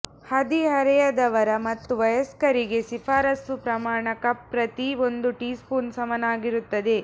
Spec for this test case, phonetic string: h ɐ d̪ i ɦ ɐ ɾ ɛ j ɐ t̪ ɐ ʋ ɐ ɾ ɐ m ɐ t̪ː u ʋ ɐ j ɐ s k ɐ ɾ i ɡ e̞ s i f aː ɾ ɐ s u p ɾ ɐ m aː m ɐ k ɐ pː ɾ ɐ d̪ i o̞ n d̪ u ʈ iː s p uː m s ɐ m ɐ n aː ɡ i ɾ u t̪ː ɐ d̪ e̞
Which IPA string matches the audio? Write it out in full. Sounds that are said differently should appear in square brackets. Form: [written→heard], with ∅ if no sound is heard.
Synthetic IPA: h ɐ d̪ i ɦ ɐ ɾ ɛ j ɐ [t̪→d̪] ɐ ʋ ɐ ɾ ɐ m ɐ t̪ː u ʋ ɐ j ɐ s k ɐ ɾ i ɡ e̞ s i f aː ɾ ɐ s u p ɾ ɐ m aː [m→ɳ] ɐ k ɐ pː ɾ ɐ [d̪→t̪] i o̞ n d̪ u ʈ iː s p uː [m→n] s ɐ m ɐ n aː ɡ i ɾ u t̪ː ɐ d̪ e̞